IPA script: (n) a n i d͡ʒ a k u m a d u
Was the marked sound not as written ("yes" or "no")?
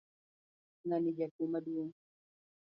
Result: no